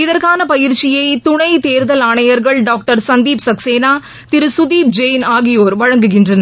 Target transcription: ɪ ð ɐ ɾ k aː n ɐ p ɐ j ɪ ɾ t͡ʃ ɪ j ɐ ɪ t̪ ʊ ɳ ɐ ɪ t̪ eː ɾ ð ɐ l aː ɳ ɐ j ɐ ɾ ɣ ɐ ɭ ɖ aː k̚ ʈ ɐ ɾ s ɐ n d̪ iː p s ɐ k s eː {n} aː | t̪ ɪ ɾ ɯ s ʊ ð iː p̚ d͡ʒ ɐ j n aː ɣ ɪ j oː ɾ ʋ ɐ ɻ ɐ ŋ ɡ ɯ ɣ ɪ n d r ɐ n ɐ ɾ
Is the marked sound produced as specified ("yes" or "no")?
yes